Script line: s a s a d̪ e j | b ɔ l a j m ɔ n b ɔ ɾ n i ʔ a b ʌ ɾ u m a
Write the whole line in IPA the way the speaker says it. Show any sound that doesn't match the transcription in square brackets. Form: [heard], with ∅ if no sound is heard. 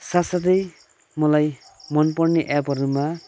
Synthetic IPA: s a s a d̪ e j | [m] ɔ l a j m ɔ n [p] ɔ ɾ n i ʔ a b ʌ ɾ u m a

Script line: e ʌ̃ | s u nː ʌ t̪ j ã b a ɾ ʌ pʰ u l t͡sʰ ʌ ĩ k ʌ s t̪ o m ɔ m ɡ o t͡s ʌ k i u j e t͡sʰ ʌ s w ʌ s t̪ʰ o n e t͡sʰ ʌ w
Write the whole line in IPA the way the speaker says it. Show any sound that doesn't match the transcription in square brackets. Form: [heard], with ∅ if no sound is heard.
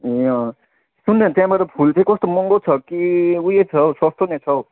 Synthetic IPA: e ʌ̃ | s u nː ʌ t̪ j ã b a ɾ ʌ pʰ u l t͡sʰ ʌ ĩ k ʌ s t̪ o m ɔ [ŋ] ɡ o [t͡sʰ] ʌ k i u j e t͡sʰ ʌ s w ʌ s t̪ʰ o n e t͡sʰ ʌ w

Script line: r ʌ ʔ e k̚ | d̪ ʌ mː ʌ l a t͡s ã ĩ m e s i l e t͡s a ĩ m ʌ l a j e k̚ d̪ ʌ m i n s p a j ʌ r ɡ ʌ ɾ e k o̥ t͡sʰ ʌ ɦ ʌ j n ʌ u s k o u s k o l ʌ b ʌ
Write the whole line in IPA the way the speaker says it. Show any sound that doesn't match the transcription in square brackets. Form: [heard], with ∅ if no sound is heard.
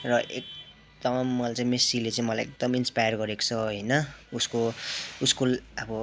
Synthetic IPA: r ʌ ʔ e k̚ | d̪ ʌ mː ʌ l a t͡s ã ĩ m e s i l e t͡s a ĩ m ʌ l a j e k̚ d̪ ʌ m i n s p a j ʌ r ɡ ʌ ɾ e k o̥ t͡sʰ ʌ ɦ ʌ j n ʌ u s k o u s k o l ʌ b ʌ

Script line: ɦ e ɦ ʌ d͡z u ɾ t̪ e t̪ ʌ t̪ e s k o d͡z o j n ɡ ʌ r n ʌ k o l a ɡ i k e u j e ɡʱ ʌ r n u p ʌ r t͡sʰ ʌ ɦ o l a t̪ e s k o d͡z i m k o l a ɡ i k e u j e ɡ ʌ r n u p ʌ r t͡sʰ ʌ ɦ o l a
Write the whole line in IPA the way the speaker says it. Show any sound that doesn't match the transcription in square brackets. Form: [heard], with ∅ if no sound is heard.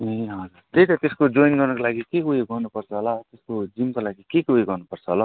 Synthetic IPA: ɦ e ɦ ʌ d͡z u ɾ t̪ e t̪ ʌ t̪ e s k o d͡z o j n ɡ ʌ r n ʌ k o l a ɡ i k e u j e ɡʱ ʌ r n u p ʌ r t͡sʰ ʌ ɦ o l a t̪ e s k o d͡z i m k o l a ɡ i k e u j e ɡ ʌ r n u p ʌ r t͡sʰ ʌ ɦ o l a

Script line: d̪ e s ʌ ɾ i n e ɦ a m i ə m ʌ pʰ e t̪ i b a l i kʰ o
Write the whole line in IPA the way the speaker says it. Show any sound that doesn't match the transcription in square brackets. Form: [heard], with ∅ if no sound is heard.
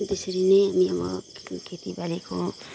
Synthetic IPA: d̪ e s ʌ ɾ i n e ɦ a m i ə m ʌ [kʰ] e t̪ i b a l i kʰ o

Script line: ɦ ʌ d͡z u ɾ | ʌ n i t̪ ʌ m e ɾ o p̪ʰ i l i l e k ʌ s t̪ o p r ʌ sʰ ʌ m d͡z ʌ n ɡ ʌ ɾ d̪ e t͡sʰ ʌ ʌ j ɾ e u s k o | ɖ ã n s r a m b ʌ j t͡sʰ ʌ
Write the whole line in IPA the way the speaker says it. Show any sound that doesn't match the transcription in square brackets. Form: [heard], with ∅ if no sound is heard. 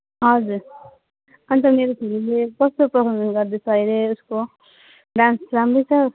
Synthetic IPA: ɦ ʌ d͡z u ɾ | ʌ n i t̪ ʌ m e ɾ o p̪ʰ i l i l e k ʌ s t̪ o p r ʌ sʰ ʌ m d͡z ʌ n ɡ ʌ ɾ d̪ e t͡sʰ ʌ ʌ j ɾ e u s k o | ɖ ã n s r a m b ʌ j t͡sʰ ʌ

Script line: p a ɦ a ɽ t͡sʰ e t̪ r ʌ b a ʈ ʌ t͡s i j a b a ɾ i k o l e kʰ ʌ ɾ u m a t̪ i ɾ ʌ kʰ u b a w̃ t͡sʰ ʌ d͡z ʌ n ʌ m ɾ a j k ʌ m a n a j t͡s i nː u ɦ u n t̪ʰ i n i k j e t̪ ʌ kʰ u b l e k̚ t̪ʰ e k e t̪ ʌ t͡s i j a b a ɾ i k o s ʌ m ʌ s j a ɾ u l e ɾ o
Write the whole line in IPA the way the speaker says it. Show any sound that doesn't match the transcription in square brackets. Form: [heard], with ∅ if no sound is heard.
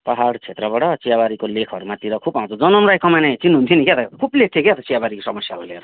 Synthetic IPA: p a ɦ a ɽ t͡sʰ e t̪ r ʌ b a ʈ ʌ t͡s i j a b a ɾ i k o l e kʰ ʌ ɾ u m a t̪ i ɾ ʌ kʰ u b a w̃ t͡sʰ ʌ d͡z ʌ n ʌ m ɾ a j k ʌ m a n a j t͡s i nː u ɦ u n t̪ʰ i n i k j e t̪ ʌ kʰ u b l e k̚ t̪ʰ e k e t̪ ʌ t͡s i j a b a ɾ i k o s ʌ m ʌ s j a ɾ u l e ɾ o

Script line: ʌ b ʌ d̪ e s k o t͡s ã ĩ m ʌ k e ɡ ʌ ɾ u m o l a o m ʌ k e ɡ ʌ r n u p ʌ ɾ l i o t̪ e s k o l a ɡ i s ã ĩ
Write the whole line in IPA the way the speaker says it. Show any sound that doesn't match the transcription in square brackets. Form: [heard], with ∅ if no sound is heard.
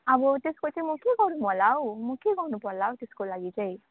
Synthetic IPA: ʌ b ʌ [t̪] e s k o t͡s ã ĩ m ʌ k e ɡ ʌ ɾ u m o l a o m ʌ k e ɡ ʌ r n u p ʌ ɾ l [a] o t̪ e s k o l a ɡ i [t͡s] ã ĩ

